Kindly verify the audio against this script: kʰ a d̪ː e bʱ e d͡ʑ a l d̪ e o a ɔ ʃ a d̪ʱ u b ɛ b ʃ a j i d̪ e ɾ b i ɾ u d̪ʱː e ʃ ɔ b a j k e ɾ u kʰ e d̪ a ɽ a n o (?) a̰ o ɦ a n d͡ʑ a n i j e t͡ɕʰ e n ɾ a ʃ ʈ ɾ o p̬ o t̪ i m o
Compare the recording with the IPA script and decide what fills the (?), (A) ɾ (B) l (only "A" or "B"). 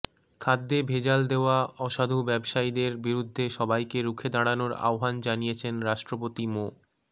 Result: A